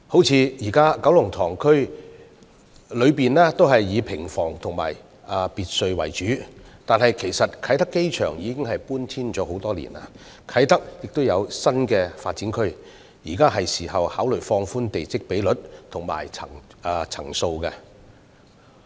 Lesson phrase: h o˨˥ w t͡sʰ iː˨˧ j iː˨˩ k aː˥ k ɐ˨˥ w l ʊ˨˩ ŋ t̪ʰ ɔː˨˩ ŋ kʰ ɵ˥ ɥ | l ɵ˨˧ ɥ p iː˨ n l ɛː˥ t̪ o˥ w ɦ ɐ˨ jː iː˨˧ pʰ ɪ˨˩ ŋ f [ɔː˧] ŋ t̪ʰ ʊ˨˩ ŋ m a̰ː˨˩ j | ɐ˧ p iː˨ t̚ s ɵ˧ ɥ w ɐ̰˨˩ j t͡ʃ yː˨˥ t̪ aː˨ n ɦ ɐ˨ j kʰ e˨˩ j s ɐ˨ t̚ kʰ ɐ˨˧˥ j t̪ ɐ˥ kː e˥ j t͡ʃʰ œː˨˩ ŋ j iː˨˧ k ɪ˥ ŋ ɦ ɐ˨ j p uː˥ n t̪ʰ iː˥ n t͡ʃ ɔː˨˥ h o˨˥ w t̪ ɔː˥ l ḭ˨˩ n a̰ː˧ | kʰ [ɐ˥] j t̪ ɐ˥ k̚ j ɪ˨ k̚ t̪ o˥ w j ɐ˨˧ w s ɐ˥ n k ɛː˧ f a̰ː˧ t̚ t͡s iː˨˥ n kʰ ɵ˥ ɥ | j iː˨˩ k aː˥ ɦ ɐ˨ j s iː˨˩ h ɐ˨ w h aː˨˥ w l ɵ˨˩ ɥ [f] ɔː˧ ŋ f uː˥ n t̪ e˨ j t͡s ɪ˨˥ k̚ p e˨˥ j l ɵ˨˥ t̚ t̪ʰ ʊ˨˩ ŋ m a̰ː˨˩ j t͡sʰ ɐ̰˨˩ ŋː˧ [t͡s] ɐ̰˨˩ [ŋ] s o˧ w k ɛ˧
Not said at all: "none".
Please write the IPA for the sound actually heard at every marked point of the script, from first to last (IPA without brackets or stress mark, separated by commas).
ɔː˨˩, ɐ˨˥, f, t͡sʰ, ŋ